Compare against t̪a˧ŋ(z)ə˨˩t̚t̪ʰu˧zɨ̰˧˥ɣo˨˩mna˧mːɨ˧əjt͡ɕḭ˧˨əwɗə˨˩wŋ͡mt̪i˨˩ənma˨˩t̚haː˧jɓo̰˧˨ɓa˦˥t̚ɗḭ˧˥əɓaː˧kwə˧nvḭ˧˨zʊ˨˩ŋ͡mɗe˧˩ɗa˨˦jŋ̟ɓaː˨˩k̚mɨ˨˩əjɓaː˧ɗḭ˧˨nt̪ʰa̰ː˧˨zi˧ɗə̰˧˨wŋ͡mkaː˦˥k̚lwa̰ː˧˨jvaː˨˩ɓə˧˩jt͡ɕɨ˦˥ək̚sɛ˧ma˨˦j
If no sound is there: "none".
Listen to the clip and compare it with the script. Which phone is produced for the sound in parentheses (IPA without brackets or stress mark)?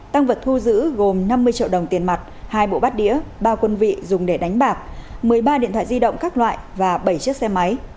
v